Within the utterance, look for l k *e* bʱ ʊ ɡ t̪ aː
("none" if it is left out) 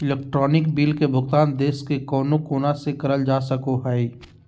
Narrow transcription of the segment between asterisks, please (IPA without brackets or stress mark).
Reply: e